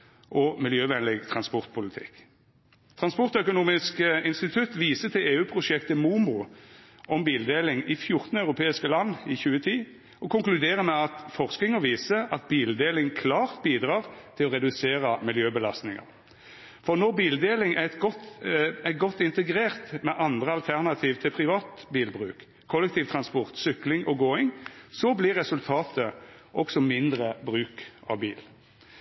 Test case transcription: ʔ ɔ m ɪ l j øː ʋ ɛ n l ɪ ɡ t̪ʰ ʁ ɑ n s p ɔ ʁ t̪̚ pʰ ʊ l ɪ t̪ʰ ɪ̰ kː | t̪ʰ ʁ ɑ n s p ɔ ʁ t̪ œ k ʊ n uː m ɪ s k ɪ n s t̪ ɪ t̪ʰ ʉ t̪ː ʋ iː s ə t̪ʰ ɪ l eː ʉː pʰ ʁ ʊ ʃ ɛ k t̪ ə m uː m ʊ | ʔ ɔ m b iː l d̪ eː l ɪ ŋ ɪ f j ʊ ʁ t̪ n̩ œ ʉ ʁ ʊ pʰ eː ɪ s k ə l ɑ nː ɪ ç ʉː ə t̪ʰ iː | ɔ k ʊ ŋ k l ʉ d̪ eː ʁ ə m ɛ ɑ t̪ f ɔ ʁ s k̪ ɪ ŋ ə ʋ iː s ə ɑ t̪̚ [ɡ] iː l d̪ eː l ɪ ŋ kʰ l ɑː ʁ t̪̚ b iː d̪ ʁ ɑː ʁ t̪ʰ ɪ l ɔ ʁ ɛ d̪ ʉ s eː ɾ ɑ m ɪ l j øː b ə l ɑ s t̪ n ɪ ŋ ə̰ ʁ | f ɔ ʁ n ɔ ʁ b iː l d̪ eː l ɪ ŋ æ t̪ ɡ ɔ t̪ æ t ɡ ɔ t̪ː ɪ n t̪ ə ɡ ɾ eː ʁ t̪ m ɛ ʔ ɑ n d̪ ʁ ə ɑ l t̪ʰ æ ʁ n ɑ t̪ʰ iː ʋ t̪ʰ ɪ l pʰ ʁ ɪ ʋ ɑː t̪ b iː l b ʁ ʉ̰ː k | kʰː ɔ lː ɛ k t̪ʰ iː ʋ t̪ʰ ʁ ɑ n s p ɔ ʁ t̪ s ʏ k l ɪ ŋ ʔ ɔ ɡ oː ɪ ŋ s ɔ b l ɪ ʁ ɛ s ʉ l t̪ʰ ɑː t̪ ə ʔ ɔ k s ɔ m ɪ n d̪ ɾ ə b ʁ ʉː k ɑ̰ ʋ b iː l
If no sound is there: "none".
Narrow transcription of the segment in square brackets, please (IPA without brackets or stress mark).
b